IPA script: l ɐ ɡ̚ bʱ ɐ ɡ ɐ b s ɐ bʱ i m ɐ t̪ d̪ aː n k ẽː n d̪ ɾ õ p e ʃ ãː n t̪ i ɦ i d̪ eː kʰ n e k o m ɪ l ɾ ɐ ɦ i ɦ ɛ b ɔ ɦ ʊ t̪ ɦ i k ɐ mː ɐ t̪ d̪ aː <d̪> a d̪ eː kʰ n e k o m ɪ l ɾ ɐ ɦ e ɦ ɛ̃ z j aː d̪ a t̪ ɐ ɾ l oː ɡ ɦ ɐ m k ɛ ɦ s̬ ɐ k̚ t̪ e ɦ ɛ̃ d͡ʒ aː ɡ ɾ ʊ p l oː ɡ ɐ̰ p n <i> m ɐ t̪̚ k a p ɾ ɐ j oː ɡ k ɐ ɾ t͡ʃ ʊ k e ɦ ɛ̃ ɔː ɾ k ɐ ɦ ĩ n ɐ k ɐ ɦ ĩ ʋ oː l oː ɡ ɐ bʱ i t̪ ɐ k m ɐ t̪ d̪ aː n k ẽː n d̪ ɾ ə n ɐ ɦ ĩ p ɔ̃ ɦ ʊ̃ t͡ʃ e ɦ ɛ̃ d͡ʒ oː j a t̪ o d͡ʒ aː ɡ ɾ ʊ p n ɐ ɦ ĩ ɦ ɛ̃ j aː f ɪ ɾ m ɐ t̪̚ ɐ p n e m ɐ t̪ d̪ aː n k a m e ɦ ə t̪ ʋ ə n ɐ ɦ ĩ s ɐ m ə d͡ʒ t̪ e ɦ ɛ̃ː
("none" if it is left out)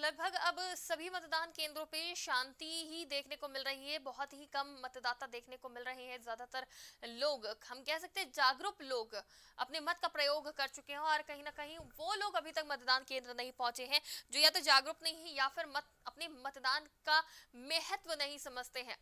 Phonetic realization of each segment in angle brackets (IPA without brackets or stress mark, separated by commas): t̪, e